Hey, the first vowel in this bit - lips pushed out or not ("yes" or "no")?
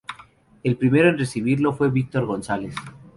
no